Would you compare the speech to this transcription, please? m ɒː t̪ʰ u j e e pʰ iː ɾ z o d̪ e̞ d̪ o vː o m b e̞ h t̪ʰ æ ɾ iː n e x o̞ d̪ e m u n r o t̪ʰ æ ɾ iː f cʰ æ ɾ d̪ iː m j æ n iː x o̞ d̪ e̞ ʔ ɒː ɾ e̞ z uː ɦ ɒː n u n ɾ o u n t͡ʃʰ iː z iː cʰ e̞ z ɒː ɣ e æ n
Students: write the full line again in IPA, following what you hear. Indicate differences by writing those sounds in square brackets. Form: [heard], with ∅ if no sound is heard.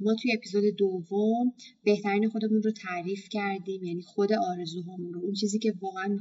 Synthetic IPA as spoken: m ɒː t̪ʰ u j e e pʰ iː [∅] z o d̪ e̞ d̪ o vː o m b e̞ h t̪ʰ æ ɾ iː n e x o̞ d̪ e m u n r o t̪ʰ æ ɾ iː f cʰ æ ɾ d̪ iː m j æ n iː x o̞ d̪ e̞ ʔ ɒː ɾ e̞ z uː ɦ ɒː [m] u n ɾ o u n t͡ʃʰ iː z iː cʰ e̞ [v] ɒː ɣ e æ n